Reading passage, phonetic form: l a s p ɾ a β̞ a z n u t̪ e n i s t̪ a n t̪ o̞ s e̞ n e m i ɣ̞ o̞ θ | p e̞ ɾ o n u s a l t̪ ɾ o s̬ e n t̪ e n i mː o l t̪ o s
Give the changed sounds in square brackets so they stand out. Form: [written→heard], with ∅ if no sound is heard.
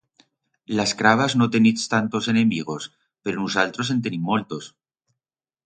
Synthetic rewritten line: l a s [p→k] ɾ a β̞ a z n [u→o] t̪ e n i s t̪ a n t̪ o̞ s e̞ n e m i ɣ̞ o̞ [θ→s] | p e̞ ɾ o n u s a l t̪ ɾ o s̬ e n t̪ e n i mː o l t̪ o s